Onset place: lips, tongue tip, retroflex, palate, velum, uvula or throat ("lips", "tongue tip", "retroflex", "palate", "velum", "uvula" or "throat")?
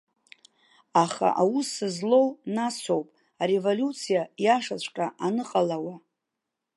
uvula